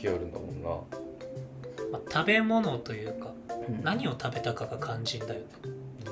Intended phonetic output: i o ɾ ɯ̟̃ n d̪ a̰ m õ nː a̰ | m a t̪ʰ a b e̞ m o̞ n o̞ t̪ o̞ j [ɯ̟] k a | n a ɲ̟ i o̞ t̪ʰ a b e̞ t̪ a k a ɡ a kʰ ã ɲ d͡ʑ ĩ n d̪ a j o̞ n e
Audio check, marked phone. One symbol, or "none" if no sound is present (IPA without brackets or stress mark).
ɯ̟ː